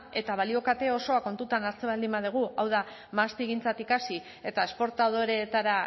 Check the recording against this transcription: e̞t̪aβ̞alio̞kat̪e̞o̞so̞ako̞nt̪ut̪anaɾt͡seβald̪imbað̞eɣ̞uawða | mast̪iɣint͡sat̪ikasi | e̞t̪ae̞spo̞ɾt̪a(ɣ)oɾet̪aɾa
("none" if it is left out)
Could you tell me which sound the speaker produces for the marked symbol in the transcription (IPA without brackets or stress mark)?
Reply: ð